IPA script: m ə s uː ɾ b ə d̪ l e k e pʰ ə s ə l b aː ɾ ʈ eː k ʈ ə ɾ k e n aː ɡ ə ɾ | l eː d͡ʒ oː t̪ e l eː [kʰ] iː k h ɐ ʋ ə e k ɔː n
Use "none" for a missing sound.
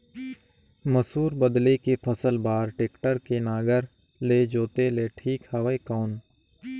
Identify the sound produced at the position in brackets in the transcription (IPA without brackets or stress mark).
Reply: ʈʰ